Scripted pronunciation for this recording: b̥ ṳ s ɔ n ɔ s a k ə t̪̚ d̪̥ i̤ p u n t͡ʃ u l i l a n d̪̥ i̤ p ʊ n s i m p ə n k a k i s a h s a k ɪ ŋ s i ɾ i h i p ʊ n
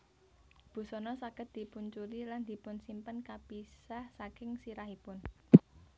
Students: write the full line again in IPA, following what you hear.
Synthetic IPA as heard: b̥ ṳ s ɔ n ɔ s a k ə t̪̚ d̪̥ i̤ p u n t͡ʃ u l i l a n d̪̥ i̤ p ʊ n s i m p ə n k a p i s a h s a k ɪ ŋ s i ɾ a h i p ʊ n